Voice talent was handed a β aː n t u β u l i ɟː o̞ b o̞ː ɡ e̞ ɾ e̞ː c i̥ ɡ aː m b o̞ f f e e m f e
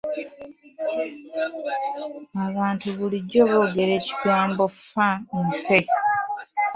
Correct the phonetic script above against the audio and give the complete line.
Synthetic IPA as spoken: a β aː n t u β u l i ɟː o̞ β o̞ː ɡ e̞ ɾ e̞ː c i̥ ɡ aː m b o̞ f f a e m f e

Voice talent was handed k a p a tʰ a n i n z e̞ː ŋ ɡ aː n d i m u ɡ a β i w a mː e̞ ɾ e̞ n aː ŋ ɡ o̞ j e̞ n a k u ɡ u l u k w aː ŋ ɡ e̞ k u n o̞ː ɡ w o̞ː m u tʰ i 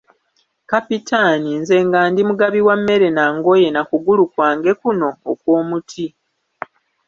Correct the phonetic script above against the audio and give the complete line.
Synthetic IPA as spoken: k a p i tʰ a n i n z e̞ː ŋ ɡ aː n d i m u ɡ a β i w a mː e̞ ɾ e̞ n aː ŋ ɡ o̞ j e̞ n a k u ɡ u l u k w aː ŋ ɡ e̞ k u n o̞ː k w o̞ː m u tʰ i

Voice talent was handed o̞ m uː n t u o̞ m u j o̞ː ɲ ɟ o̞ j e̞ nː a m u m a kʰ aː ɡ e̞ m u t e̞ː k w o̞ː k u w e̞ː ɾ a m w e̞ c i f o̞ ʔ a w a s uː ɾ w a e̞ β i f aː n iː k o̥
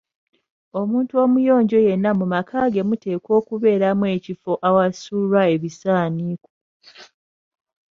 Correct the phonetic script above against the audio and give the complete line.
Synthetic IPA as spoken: o̞ m uː n t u o̞ m u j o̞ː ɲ ɟ o̞ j e̞ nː a m u m a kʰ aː ɡ e̞ m u t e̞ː k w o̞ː k u β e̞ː ɾ a m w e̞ c i f o̞ ʔ a w a s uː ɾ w a e̞ β i s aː n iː k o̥

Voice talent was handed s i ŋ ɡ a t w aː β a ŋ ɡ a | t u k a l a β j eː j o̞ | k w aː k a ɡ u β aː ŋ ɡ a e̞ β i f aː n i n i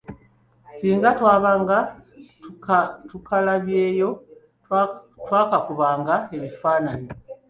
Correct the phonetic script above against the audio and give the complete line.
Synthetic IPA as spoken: s iː ŋ ɡ a t w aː β a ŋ ɡ a | t u k a l a β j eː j o̞ | t w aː k a k u β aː ŋ ɡ a e̞ β i f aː n a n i

